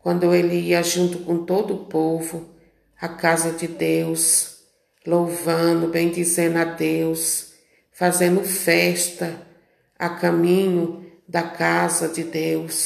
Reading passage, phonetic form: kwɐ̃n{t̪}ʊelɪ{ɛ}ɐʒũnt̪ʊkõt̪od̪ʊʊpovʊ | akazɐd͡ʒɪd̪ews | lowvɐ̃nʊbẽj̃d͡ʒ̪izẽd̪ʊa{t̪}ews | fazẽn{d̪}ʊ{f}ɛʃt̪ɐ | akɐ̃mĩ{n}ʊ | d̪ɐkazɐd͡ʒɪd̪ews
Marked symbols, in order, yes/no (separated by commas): no, no, no, yes, yes, no